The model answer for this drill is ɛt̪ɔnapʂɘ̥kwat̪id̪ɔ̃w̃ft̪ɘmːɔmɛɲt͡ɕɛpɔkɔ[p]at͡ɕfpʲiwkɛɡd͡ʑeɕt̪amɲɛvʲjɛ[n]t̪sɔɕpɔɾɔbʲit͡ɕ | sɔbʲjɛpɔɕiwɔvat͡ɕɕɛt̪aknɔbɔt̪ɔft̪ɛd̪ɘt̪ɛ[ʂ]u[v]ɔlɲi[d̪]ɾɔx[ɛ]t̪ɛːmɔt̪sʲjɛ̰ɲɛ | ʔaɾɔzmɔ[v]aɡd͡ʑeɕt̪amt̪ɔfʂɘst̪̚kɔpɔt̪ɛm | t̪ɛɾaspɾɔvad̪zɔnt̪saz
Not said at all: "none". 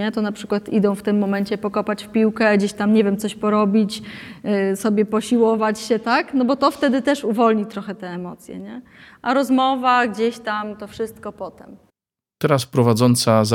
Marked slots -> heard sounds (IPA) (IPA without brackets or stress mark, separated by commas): p, m, ʂ, v, t̪, ɛ, v